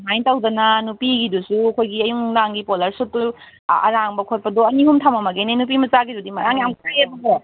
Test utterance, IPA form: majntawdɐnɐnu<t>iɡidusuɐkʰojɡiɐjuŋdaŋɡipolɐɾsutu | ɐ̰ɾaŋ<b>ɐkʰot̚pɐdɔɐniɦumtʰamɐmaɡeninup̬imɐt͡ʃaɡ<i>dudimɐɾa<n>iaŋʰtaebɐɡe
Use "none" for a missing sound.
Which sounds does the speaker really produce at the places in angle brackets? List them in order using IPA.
p, b, i, ŋ

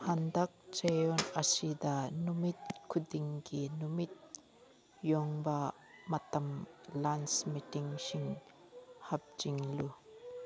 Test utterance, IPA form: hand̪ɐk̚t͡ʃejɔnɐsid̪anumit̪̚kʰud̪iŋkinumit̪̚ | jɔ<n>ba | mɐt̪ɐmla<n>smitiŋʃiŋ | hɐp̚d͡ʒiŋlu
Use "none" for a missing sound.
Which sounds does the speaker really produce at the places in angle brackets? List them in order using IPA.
ŋ, n

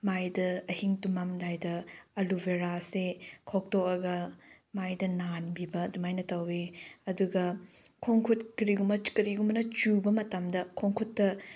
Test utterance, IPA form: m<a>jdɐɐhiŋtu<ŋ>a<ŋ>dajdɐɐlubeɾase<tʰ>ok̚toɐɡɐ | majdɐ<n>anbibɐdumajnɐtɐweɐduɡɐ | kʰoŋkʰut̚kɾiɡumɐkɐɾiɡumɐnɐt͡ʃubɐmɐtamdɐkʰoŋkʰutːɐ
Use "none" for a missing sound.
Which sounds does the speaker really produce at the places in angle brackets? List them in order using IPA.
a, m, m, kʰ, n

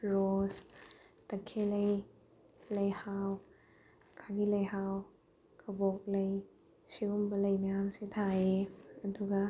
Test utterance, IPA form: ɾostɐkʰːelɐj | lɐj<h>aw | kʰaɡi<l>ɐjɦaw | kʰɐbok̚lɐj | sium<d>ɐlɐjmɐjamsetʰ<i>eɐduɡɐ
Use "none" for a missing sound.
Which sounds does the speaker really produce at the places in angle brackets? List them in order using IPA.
h, l, b, a

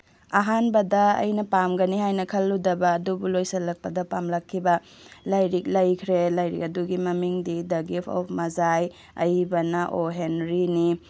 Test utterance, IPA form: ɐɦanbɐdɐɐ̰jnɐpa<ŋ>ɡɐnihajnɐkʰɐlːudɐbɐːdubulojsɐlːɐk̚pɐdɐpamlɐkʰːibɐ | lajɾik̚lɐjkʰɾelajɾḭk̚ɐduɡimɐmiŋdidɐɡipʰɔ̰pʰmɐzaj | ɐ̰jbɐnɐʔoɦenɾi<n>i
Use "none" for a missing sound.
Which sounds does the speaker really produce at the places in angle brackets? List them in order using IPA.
m, n

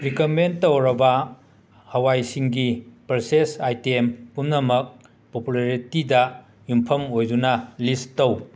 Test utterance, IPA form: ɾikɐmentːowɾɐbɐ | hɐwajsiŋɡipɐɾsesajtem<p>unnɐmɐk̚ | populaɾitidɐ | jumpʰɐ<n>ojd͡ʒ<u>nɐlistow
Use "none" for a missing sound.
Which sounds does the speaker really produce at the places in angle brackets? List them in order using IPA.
p, m, u

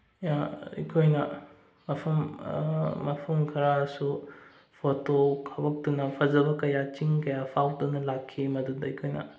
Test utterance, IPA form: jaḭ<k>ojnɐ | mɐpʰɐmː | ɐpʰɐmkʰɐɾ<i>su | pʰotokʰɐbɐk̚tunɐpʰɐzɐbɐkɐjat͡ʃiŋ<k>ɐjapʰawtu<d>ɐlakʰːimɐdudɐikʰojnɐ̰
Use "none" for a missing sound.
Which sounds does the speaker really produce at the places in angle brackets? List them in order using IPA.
kʰ, a, k, n

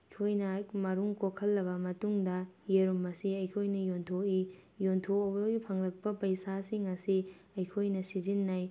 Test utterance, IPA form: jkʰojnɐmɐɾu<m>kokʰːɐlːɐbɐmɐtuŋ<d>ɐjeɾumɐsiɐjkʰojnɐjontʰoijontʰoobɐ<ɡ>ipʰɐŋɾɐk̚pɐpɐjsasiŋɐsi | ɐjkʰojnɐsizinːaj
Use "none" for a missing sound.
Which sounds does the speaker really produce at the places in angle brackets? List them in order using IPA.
ŋ, d, ɡ

